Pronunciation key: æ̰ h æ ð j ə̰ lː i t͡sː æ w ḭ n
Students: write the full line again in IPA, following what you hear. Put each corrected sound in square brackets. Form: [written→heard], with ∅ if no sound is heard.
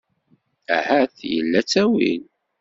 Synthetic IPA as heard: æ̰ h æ [ð→θ] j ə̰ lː [i→æ] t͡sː æ w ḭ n